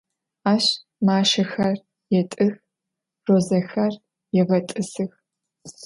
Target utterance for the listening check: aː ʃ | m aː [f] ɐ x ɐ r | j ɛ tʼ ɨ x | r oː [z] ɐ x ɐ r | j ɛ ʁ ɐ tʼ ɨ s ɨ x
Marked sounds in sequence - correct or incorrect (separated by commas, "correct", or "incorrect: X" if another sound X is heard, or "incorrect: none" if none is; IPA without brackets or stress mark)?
incorrect: ʃ, correct